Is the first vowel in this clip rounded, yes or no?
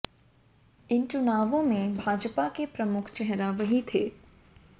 no